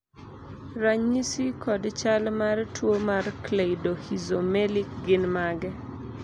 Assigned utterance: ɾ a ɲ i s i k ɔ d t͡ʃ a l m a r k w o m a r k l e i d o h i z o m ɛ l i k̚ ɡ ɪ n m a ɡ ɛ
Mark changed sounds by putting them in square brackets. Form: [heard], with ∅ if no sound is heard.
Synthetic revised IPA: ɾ a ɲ i s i k ɔ d t͡ʃ a l m a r [t] w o m a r k l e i d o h i z o m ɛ l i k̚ ɡ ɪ n m a ɡ ɛ